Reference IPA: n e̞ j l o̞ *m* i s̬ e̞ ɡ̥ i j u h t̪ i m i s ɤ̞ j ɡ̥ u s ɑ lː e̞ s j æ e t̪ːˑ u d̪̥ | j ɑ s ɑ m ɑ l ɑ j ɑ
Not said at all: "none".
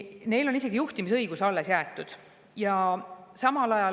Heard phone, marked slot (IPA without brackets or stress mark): n